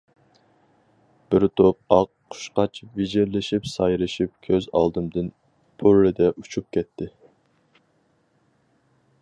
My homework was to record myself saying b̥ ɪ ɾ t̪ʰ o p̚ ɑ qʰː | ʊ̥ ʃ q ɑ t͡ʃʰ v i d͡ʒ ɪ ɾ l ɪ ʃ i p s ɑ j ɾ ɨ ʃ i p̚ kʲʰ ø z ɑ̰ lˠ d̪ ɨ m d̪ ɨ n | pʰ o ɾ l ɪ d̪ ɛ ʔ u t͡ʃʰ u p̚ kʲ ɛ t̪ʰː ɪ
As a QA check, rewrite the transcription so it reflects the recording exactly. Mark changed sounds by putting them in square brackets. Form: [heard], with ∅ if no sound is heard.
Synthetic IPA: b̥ ɪ ɾ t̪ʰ o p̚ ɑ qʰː | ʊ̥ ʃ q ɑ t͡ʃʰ v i d͡ʒ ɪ ɾ l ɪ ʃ i p s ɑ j ɾ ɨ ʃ i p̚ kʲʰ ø z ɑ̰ lˠ d̪ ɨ m d̪ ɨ n | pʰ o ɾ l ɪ d̪ ɛ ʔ u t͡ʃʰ u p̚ kʲ ɛ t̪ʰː ɪ